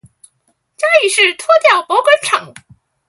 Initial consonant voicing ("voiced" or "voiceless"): voiceless